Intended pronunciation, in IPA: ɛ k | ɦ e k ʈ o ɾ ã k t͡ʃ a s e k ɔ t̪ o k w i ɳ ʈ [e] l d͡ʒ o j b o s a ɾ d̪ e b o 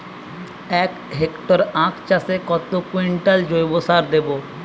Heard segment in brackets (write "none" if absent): a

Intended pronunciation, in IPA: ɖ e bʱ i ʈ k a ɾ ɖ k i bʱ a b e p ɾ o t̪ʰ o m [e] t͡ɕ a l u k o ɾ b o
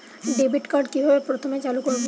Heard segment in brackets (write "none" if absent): e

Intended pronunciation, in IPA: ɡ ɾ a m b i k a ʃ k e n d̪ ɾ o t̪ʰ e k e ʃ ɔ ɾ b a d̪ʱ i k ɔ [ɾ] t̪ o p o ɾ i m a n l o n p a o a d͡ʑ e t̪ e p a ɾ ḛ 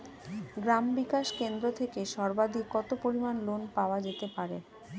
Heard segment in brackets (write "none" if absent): none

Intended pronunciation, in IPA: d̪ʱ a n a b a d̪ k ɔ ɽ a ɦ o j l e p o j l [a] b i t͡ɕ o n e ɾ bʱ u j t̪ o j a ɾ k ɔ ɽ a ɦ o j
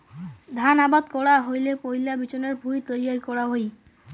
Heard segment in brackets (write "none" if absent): a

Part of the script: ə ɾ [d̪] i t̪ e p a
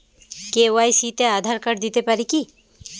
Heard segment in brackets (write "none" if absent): d̪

